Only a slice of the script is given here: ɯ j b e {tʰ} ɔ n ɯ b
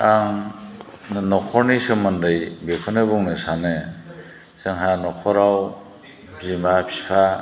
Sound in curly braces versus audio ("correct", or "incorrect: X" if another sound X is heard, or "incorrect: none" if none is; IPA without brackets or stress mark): incorrect: kʰ